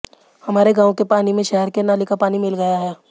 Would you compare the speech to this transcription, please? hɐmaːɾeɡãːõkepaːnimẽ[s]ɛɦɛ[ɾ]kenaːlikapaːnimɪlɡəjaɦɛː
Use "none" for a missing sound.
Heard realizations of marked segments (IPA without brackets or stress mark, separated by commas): ʃ, ɾ